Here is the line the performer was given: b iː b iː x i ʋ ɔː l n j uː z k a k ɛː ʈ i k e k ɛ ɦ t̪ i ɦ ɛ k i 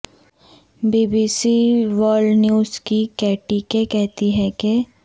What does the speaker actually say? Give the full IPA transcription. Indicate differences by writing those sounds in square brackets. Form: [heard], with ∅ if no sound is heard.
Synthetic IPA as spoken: b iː b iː [s] i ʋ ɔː l n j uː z k [i] k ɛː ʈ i k e k ɛ ɦ t̪ i ɦ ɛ k [e]